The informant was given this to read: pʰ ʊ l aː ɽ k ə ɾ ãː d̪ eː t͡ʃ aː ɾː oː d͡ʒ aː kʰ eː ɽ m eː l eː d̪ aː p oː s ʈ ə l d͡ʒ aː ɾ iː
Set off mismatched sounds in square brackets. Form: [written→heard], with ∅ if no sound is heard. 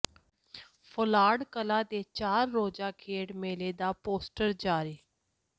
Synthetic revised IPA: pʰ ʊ l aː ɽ k ə [ɾ→l] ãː d̪ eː t͡ʃ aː ɾː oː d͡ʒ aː kʰ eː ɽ m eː l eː d̪ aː p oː s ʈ ə [l→ɾ] d͡ʒ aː ɾ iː

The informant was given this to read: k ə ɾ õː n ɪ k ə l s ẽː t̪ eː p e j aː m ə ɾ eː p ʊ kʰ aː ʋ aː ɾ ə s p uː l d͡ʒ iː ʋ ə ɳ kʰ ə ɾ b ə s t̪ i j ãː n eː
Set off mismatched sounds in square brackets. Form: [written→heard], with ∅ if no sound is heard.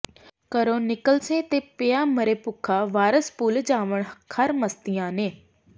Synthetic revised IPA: k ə ɾ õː n ɪ k ə l s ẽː t̪ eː p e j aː m ə ɾ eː p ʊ kʰ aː ʋ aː ɾ ə s p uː l d͡ʒ [iː→aː] ʋ ə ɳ kʰ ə ɾ [b→m] ə s t̪ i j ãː n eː

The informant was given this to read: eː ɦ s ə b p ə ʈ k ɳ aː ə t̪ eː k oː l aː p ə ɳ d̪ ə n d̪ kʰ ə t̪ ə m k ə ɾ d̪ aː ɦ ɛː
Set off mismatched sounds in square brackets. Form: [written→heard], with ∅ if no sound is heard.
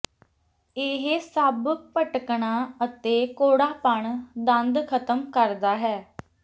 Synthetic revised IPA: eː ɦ s ə b p ə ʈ k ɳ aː ə t̪ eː k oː [l→ɽ] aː p ə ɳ d̪ ə n d̪ kʰ ə t̪ ə m k ə ɾ d̪ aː ɦ ɛː

